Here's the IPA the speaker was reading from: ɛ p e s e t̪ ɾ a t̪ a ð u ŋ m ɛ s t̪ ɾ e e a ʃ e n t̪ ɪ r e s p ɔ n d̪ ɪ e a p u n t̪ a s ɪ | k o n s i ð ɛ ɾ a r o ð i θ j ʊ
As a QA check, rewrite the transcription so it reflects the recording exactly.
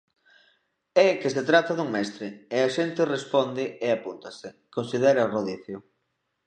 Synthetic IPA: ɛ k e s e t̪ ɾ a t̪ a ð u ŋ m ɛ s t̪ ɾ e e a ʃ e n t̪ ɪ r e s p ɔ n d̪ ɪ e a p u n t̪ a s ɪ | k o n s i ð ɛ ɾ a r o ð i θ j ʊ